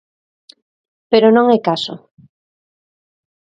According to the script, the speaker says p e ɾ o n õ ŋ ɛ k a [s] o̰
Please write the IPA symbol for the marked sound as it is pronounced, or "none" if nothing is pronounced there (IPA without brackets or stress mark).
s